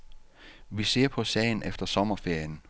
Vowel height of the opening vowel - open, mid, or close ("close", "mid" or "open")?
close